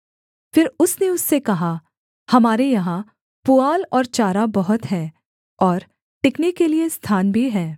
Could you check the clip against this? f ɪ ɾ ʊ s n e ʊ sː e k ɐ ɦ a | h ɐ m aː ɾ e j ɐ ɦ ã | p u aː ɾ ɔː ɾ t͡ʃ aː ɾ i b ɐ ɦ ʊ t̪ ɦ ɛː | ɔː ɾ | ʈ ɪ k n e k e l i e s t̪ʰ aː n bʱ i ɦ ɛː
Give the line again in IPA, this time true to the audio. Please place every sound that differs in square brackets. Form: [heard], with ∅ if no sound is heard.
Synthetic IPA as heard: f ɪ ɾ ʊ s n e ʊ sː e k ɐ ɦ a | h ɐ m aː ɾ e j ɐ ɦ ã | p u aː [l] ɔː ɾ t͡ʃ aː ɾ [a] b ɐ ɦ ʊ t̪ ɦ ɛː | ɔː ɾ | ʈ ɪ k n e k e l i e s t̪ʰ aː n bʱ i ɦ ɛː

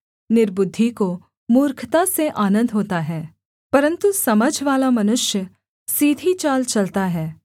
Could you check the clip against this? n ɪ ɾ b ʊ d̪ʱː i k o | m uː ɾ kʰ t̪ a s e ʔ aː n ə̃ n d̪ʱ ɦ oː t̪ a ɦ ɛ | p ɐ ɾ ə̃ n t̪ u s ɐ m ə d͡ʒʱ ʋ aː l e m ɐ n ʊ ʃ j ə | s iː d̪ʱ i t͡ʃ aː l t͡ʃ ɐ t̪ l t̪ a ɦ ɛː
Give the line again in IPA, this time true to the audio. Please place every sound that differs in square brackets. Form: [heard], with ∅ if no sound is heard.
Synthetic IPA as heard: n ɪ ɾ b ʊ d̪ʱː i k o | m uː ɾ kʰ t̪ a s e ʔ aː n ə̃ n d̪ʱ ɦ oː t̪ a ɦ [ɛː] | p ɐ ɾ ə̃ n t̪ u s ɐ m ə d͡ʒʱ ʋ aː l [a] m ɐ n ʊ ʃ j ə | s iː d̪ʱ i t͡ʃ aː l t͡ʃ ɐ [∅] l t̪ a ɦ ɛː

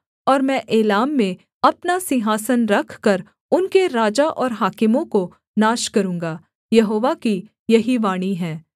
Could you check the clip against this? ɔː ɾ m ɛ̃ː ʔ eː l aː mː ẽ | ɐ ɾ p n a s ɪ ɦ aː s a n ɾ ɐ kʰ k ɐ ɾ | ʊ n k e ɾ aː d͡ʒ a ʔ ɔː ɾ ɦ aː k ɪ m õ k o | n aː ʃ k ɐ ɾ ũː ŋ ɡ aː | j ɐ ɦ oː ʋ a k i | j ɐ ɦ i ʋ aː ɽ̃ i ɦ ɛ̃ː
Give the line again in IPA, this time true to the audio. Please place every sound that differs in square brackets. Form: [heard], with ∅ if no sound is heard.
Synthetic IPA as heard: ɔː ɾ m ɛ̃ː ʔ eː l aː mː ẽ | ɐ [∅] p n a s ɪ ɦ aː s [ə] n ɾ ɐ kʰ k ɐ ɾ | ʊ n k e ɾ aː d͡ʒ a ʔ ɔː ɾ ɦ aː k ɪ m õ k o | n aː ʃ k ɐ ɾ ũː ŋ ɡ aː | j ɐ ɦ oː ʋ a k i | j ɐ ɦ i ʋ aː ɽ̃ i ɦ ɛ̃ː

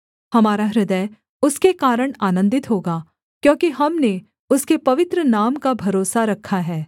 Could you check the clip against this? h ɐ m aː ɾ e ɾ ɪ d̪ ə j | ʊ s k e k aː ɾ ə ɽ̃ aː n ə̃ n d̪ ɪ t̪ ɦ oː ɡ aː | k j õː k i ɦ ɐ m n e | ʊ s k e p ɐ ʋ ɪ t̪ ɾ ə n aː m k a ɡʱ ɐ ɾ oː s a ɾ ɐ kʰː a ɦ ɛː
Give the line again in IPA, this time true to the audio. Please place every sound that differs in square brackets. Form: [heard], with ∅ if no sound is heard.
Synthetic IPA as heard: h ɐ m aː ɾ [a] ɾ ɪ d̪ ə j | ʊ s k e k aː ɾ ə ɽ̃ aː n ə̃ n d̪ ɪ t̪ ɦ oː ɡ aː | k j õː k i ɦ ɐ m n e | ʊ s k e p ɐ ʋ ɪ t̪ ɾ ə n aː m k a [bʱ] ɐ ɾ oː s a ɾ ɐ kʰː a ɦ ɛː

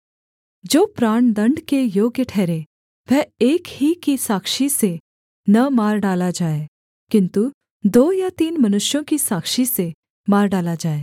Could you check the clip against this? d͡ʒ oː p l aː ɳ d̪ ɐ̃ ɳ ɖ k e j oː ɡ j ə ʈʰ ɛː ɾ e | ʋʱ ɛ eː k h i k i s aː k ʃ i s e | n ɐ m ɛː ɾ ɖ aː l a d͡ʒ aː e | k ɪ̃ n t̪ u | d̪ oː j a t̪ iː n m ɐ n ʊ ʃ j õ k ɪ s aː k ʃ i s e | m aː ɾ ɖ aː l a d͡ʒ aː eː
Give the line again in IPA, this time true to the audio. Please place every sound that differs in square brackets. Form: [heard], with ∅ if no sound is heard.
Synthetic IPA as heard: d͡ʒ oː p [ɾ] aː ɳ d̪ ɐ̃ ɳ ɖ k e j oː ɡ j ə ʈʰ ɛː ɾ e | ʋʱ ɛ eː k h i k i s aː k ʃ i s e | n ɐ m [aː] ɾ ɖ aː l a d͡ʒ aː e | k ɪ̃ n t̪ u | d̪ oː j a t̪ iː n m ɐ n ʊ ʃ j õ k [i] s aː k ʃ i s e | m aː ɾ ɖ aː l a d͡ʒ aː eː

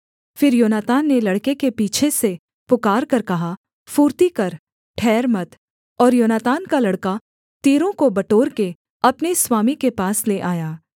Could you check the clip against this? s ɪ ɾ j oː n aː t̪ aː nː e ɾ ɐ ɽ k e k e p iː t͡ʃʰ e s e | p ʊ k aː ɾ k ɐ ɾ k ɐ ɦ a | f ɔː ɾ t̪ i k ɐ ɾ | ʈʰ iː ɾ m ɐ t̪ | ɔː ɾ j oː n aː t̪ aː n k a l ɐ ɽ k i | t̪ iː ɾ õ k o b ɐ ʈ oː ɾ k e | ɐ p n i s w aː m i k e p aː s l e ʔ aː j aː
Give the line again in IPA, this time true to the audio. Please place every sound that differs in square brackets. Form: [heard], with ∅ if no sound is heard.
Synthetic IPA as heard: [f] ɪ ɾ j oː n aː t̪ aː nː e [l] ɐ ɽ k e k e p iː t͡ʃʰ e s e | p ʊ k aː ɾ k ɐ ɾ k ɐ ɦ a | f [uː] ɾ t̪ i k ɐ ɾ | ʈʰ [ɛː] ɾ m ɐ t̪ | ɔː ɾ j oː n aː t̪ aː n k a l ɐ ɽ k [a] | t̪ iː ɾ õ k o b ɐ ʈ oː ɾ k e | ɐ p n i s w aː m i k e p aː s l e ʔ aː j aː

